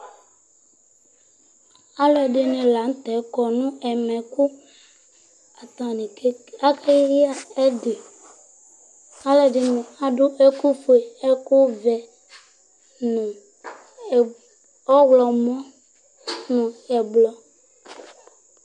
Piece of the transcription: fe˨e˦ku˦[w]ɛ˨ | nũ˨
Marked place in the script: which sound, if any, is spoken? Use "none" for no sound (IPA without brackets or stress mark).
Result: v